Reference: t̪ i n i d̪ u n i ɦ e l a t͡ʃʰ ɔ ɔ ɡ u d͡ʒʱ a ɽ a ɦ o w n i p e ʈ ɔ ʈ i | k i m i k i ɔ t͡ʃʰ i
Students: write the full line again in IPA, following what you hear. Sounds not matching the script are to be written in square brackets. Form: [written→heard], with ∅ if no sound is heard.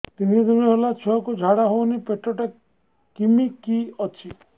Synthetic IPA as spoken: t̪ i n i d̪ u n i ɦ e l a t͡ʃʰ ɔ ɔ [ɡ→k] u d͡ʒʱ a ɽ a ɦ o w n i p e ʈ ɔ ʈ [i→a] | k i m i k i ɔ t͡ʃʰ i